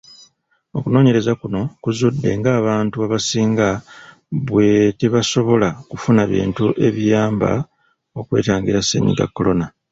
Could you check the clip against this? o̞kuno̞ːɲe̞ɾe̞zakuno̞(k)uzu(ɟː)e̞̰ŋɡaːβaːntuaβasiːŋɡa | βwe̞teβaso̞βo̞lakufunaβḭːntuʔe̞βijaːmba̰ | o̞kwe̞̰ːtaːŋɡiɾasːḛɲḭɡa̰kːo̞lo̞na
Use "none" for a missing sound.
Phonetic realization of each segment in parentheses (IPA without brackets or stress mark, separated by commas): k, dː